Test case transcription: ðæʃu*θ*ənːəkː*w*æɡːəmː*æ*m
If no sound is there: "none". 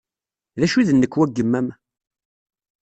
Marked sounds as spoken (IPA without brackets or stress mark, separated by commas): ð, w, æ